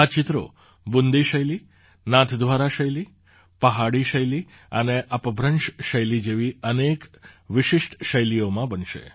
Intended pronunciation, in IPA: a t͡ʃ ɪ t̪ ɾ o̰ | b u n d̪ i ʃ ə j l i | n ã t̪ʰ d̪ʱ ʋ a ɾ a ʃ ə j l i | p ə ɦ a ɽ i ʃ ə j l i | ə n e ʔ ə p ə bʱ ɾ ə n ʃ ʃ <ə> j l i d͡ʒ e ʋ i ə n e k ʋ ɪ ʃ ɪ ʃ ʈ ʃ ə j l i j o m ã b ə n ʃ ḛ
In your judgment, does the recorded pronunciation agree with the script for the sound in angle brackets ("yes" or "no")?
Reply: yes